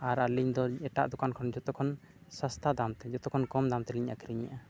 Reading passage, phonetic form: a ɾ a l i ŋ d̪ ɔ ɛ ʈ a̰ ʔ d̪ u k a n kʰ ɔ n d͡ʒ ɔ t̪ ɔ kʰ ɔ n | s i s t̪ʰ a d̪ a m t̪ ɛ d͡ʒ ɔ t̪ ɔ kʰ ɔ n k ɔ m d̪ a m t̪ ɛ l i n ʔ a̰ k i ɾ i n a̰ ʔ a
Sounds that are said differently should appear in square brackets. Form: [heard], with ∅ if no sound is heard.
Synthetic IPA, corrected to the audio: a ɾ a l i [ɲ] d̪ ɔ ɛ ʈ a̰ ʔ d̪ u k a n kʰ ɔ n d͡ʒ ɔ t̪ ɔ kʰ ɔ n | s [a] s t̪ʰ a d̪ a m t̪ ɛ d͡ʒ ɔ t̪ ɔ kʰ ɔ n k ɔ m d̪ a m t̪ ɛ l i [ɲ] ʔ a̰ k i ɾ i [ɲ] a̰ ʔ a